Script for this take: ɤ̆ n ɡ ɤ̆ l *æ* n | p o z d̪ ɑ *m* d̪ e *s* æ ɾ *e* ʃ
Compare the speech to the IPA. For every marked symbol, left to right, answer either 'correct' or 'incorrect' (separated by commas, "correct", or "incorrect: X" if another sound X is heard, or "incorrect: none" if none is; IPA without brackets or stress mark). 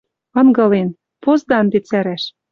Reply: incorrect: e, incorrect: n, incorrect: t͡s, incorrect: æ